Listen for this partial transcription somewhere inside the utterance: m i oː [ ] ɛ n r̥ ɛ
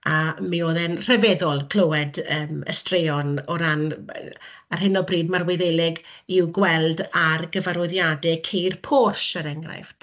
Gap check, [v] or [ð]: ð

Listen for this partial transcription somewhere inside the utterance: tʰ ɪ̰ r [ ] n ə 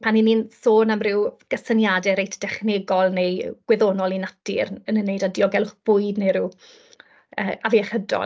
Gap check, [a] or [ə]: ə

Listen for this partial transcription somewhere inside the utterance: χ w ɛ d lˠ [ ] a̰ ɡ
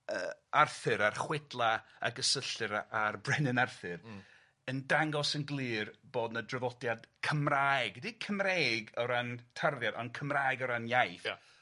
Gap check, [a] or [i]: a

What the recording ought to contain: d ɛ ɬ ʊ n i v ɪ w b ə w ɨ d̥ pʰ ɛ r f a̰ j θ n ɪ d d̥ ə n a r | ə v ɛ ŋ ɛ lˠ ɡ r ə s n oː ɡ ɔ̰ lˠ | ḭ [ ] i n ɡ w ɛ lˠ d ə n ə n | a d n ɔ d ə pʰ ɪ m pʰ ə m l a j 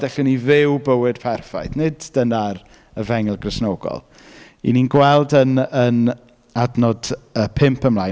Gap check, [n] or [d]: n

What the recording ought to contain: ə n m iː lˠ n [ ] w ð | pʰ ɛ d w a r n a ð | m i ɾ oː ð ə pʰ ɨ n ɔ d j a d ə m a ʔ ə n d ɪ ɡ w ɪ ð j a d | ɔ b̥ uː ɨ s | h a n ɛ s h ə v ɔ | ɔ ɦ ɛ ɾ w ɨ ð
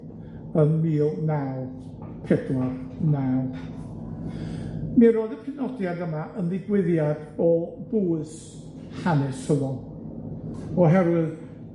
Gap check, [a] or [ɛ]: a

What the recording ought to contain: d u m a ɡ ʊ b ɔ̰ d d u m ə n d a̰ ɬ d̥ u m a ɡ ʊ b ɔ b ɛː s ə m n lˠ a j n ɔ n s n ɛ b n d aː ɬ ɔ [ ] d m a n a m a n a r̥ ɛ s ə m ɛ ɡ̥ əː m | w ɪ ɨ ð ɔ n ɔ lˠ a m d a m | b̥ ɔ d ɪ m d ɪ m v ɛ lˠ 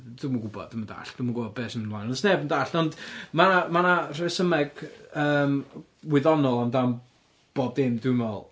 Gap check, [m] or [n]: n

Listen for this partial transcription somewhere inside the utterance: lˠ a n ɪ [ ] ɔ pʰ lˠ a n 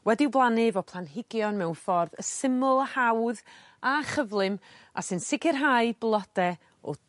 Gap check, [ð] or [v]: v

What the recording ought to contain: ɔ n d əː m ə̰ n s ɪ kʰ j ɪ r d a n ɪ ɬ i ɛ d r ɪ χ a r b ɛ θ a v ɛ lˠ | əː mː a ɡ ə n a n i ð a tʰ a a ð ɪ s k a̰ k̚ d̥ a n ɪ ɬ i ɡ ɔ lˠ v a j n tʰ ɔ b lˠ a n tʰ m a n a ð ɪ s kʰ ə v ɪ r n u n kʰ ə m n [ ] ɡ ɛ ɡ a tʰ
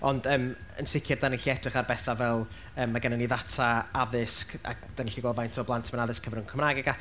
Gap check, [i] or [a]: a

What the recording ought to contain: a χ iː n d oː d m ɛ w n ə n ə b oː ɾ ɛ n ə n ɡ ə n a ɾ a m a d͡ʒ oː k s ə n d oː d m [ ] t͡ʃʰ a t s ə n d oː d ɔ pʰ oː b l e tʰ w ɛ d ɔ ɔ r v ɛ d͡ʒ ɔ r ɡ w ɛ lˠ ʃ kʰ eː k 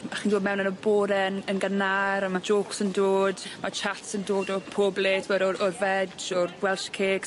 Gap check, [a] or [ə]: a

